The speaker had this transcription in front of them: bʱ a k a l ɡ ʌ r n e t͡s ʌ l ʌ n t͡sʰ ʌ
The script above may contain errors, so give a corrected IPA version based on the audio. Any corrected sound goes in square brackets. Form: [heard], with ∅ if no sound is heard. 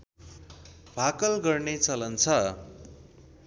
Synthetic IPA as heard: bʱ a k [ʌ] l ɡ ʌ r n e t͡s ʌ l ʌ n t͡sʰ ʌ